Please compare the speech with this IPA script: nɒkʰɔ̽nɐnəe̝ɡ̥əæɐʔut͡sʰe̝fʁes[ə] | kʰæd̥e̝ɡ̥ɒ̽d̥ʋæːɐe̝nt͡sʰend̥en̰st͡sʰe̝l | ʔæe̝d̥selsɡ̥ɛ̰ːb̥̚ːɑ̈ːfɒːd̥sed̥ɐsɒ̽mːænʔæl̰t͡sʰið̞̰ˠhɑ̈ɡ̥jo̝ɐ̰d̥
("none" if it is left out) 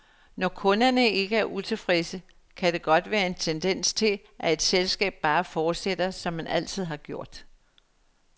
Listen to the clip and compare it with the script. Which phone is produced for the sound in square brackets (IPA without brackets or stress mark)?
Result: ə